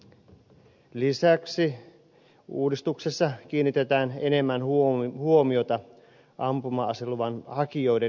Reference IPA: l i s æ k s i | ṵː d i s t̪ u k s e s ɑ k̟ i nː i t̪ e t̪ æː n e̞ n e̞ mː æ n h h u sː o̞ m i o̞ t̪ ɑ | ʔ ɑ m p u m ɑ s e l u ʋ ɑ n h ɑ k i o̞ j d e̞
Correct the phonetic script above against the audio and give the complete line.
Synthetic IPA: l i s æ k s i | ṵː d i s t̪ u k s e sː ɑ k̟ iː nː i t̪ e t̪ æː n e̞ n e̞ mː æ n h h u o̞ m i o̞ t̪ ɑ | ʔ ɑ m p u m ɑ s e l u ʋ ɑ n h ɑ k i o̞ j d e̞